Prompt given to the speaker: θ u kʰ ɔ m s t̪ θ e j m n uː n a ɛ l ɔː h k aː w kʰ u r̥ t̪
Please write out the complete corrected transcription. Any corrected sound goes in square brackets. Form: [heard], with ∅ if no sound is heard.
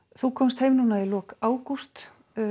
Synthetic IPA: θ u kʰ ɔ m s t̪ [h] e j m n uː n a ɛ l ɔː [∅] k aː w [k] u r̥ t̪